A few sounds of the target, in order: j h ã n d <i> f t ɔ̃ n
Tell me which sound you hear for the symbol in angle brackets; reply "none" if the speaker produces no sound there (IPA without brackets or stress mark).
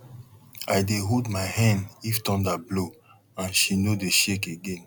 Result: i